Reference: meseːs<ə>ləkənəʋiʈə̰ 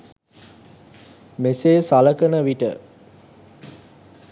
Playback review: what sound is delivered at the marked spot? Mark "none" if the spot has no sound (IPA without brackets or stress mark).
a